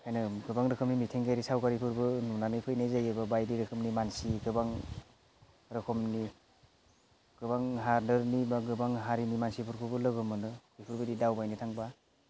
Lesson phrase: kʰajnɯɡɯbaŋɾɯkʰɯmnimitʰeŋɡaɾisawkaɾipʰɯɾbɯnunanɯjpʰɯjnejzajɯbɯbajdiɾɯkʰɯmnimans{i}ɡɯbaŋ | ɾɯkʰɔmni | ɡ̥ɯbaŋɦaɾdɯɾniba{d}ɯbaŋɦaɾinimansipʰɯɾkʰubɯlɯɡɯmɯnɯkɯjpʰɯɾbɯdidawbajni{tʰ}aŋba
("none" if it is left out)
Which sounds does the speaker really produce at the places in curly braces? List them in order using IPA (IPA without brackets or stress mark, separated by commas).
i, ɡ, tʰ